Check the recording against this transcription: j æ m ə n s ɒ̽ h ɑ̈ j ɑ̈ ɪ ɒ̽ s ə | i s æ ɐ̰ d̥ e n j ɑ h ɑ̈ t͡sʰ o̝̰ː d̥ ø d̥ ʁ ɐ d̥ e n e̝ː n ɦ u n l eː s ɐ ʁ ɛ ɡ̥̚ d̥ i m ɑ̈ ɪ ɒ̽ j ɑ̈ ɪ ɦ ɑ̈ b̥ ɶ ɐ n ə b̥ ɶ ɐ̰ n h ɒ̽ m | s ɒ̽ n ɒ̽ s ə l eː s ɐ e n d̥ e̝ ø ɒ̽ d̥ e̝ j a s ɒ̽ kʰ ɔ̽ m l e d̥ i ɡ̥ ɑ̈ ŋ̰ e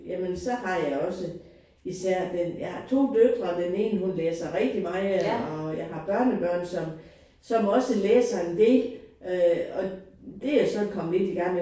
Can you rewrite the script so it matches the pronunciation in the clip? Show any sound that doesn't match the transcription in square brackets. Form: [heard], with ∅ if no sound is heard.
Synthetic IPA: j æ m ə n s ɒ̽ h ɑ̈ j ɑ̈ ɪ ɒ̽ s ə | i s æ ɐ̰ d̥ e n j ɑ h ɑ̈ t͡sʰ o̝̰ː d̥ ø d̥ ʁ ɐ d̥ e n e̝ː n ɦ u n l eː s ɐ ʁ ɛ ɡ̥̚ d̥ i m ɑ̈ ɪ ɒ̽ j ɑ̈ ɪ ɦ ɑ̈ b̥ ɶ ɐ n ə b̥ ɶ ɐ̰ n [s] ɒ̽ m | s ɒ̽ [m] ɒ̽ s ə l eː s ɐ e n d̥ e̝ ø ɒ̽ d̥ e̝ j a s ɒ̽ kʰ [ɒ̽] m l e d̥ i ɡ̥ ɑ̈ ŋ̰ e

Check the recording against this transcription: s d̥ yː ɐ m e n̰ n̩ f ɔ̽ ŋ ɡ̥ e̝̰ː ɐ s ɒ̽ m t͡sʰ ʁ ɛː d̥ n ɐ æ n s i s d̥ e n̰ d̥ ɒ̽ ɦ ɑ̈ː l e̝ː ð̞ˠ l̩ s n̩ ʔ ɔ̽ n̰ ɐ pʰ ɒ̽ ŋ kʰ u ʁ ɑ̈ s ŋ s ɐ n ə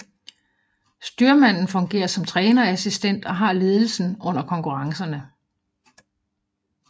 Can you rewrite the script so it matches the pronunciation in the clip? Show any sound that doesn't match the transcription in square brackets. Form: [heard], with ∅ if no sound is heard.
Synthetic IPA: s d̥ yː ɐ m [æ] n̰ n̩ f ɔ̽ ŋ ɡ̥ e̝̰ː ɐ s ɒ̽ m t͡sʰ ʁ ɛː [∅] n ɐ æ [∅] s i s d̥ e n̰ d̥ ɒ̽ ɦ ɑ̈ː l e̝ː ð̞ˠ l̩ s n̩ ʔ ɔ̽ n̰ ɐ [kʰ] ɒ̽ ŋ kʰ u ʁ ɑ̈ [∅] ŋ s ɐ n ə

